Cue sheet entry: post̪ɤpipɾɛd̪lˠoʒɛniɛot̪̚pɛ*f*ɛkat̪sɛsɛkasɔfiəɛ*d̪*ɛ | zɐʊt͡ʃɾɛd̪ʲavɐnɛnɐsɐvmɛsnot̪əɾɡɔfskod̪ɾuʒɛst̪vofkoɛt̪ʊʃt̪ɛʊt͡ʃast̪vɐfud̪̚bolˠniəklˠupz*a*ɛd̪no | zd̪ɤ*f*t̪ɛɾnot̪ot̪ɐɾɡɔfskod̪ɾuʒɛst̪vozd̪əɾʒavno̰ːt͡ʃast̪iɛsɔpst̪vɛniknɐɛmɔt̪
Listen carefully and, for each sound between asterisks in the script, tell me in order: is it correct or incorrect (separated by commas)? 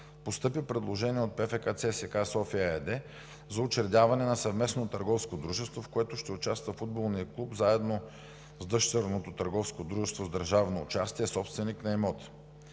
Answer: correct, correct, correct, incorrect